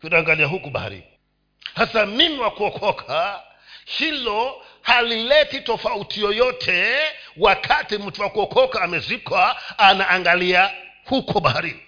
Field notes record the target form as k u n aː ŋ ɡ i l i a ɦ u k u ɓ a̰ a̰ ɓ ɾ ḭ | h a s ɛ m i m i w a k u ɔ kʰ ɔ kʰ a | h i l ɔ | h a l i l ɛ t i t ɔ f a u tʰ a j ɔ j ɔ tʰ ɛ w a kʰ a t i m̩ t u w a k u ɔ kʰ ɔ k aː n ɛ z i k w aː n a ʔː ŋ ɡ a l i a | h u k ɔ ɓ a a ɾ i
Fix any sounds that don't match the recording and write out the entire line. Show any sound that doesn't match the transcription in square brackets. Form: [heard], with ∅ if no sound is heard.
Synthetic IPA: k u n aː ŋ ɡ [a] l i a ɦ u k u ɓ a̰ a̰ [∅] ɾ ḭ | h a s [a] m i m i w a k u ɔ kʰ ɔ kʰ a | h i l ɔ | h a l i l ɛ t i t ɔ f a u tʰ [i] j ɔ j ɔ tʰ ɛ w a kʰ a t i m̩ t u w a k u ɔ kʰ ɔ k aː [m] ɛ z i k w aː n a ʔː ŋ ɡ a l i a | h u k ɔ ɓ a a ɾ i